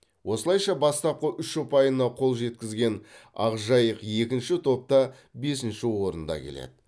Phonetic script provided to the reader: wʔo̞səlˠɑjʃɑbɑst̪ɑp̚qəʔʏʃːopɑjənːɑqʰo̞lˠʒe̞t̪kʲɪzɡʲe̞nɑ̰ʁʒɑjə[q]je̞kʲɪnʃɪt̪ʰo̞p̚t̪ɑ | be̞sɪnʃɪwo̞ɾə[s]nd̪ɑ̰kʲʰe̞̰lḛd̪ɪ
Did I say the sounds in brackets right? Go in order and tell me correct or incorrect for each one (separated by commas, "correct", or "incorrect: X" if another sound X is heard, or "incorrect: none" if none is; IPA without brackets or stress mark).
correct, incorrect: none